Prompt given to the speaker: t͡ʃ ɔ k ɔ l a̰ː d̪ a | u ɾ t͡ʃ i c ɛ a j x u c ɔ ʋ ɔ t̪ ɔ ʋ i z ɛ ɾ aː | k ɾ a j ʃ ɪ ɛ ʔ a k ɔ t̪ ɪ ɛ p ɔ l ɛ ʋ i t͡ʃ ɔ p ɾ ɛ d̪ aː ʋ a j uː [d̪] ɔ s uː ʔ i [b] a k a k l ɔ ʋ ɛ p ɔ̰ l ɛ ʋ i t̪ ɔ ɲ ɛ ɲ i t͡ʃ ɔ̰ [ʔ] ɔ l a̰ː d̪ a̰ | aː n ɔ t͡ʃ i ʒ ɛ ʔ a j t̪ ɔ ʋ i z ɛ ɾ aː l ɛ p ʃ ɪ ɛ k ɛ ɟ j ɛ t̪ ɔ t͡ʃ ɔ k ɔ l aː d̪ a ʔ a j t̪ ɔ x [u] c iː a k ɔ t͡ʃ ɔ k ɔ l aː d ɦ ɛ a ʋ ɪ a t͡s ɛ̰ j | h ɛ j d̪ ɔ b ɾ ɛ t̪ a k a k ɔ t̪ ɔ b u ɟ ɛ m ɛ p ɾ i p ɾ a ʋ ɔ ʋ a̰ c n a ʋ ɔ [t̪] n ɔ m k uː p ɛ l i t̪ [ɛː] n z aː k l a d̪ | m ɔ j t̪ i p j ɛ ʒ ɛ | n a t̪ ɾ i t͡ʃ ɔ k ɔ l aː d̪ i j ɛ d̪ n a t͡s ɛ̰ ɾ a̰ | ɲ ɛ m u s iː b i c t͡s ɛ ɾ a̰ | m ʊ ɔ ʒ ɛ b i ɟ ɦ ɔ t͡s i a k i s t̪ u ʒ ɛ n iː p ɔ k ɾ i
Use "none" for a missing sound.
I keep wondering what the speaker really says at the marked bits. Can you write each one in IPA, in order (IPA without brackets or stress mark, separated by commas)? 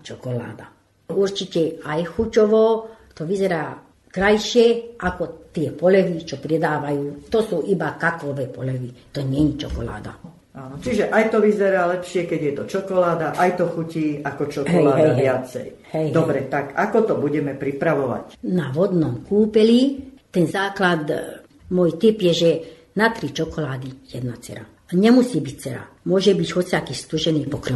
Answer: t̪, b, k, u, d̪, ɛ